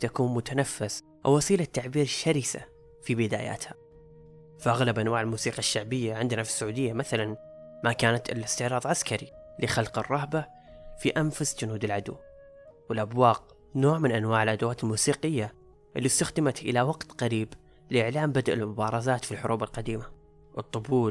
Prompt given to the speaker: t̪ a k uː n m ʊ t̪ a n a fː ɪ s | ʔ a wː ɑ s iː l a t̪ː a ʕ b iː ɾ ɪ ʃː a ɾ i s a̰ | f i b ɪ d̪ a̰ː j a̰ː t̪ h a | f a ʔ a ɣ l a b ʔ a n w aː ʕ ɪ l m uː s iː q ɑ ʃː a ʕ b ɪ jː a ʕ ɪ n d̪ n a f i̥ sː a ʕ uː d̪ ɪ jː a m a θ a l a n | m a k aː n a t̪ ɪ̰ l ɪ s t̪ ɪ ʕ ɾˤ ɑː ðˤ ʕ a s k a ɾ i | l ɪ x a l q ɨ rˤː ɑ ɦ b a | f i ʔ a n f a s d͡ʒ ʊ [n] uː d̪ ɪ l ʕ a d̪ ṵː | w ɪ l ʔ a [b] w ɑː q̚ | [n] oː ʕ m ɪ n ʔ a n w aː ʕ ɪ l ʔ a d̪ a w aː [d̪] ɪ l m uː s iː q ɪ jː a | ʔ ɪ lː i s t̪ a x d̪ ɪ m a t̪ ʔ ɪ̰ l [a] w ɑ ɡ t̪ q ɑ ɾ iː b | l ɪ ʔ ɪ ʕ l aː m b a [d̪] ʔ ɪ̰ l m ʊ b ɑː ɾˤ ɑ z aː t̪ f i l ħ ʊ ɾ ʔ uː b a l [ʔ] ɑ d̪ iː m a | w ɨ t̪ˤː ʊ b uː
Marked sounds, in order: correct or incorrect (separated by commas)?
correct, correct, correct, incorrect, correct, correct, incorrect